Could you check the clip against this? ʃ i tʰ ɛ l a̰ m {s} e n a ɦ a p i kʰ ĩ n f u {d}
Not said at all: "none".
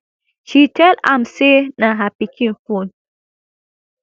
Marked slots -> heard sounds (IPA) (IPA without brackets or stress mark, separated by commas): s, n